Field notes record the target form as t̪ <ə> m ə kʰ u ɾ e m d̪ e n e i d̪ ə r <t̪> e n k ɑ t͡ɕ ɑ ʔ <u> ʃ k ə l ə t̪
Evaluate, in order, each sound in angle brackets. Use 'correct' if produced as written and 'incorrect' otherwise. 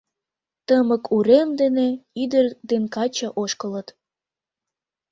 correct, incorrect: d̪, incorrect: o

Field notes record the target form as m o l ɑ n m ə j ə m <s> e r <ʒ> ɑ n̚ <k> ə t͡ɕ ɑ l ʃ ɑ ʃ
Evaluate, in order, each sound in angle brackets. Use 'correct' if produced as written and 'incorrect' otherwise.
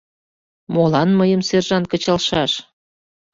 correct, correct, correct

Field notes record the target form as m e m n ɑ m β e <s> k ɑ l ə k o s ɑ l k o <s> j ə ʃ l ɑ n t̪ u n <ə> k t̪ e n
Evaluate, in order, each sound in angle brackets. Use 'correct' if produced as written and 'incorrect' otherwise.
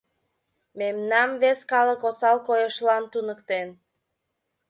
correct, incorrect: none, correct

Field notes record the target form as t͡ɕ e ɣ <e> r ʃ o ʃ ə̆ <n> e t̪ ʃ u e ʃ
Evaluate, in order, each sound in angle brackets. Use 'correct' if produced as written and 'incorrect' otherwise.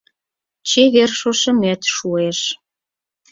correct, incorrect: m

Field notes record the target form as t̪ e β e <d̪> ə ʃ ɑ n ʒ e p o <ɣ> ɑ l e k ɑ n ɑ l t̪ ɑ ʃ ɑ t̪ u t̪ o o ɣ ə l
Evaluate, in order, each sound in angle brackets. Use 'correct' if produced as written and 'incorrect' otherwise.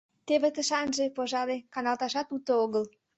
incorrect: t̪, incorrect: ʒ

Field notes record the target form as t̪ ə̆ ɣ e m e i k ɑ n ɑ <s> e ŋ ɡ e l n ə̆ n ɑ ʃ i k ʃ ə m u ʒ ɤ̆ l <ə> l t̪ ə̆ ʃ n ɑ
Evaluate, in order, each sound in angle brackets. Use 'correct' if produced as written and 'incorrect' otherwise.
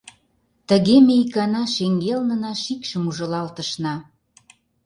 incorrect: ʃ, incorrect: ɑ

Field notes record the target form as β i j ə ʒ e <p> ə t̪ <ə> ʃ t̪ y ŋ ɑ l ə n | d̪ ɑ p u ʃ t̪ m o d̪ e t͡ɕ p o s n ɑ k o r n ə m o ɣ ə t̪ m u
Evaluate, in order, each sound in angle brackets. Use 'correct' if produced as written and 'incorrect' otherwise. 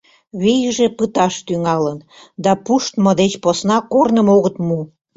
correct, incorrect: ɑ

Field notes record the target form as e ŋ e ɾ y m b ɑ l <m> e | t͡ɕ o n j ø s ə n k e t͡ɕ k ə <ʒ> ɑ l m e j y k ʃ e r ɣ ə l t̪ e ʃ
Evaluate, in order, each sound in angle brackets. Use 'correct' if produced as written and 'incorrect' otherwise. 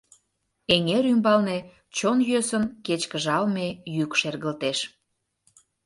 incorrect: n, correct

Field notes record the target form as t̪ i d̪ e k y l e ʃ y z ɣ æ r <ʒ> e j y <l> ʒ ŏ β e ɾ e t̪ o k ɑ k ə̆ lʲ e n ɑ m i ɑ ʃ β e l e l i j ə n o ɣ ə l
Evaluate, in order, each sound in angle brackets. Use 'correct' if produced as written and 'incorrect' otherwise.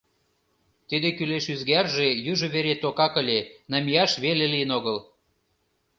correct, incorrect: none

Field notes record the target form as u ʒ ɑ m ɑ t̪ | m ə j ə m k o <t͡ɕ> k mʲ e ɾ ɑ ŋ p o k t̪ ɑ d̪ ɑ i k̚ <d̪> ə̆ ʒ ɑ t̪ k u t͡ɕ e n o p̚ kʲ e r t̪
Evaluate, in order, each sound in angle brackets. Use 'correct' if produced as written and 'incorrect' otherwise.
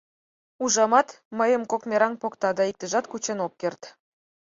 incorrect: none, incorrect: t̪

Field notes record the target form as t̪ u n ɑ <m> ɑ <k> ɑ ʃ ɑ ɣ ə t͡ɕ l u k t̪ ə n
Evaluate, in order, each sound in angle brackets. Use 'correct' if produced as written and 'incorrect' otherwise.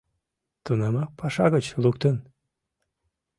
correct, incorrect: p

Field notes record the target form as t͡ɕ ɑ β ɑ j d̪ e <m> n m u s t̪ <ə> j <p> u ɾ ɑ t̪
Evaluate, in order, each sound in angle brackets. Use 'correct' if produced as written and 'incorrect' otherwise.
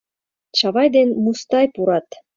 incorrect: none, incorrect: ɑ, correct

